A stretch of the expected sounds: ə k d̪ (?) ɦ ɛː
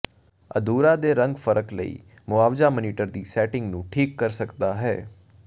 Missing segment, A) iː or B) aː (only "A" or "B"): B